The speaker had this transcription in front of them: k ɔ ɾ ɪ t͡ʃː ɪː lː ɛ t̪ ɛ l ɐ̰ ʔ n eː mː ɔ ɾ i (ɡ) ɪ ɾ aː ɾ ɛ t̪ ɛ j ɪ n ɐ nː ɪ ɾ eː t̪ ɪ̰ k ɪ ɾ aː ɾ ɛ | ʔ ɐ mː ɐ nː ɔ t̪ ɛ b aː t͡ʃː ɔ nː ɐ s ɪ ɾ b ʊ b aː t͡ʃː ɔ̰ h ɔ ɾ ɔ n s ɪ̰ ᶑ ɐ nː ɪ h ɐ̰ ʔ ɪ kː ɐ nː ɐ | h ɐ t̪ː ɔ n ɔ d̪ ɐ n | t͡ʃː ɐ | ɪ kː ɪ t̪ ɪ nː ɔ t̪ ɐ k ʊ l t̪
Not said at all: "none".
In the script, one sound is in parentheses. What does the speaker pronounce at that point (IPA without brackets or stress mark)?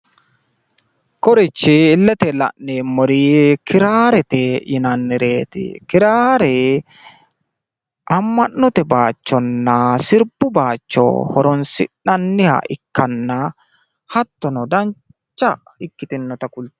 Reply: k